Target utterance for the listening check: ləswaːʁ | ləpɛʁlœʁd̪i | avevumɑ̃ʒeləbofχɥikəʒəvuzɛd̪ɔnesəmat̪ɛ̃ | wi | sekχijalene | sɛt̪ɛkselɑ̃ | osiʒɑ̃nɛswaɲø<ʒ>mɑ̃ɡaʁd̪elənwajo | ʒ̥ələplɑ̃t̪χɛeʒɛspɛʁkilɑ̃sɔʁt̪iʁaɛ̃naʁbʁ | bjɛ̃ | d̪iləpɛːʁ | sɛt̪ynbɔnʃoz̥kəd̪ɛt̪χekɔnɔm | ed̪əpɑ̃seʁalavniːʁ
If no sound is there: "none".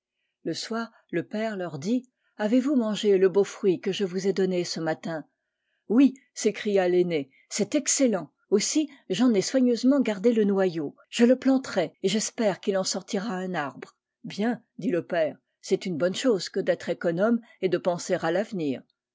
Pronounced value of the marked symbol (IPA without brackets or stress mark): z